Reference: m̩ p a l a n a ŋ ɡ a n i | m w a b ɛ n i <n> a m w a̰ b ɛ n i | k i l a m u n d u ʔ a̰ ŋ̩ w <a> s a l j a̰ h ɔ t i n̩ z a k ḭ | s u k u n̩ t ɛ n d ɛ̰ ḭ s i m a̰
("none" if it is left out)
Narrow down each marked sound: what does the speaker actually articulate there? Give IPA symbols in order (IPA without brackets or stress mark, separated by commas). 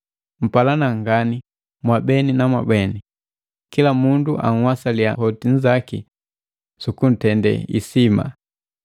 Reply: n, a